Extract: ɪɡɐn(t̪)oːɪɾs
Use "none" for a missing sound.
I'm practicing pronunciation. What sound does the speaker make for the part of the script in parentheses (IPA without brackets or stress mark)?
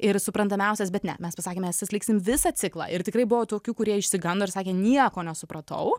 d̪